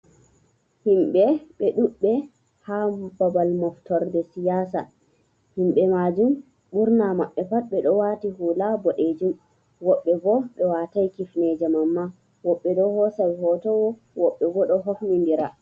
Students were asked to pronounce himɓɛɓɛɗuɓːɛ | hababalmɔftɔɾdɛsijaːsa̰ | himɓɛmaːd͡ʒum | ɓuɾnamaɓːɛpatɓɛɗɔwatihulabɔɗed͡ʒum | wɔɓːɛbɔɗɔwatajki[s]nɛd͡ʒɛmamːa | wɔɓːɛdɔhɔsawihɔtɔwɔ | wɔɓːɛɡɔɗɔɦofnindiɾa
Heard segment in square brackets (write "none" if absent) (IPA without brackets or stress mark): f